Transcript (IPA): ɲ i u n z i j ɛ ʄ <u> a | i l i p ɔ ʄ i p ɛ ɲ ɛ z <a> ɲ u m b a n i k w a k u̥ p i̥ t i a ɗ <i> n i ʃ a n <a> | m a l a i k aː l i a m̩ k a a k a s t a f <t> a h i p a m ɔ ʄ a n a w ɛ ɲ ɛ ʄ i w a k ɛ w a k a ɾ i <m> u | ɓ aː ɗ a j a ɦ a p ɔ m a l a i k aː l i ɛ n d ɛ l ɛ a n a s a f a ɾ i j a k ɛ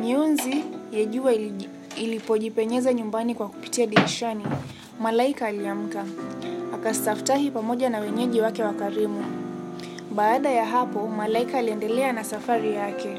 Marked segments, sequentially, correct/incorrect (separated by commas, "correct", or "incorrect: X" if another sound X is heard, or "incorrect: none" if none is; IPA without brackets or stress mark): correct, correct, correct, incorrect: i, correct, correct